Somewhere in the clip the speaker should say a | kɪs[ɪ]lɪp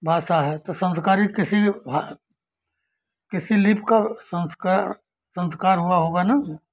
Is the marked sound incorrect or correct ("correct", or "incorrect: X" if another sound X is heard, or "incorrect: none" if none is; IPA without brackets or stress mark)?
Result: incorrect: i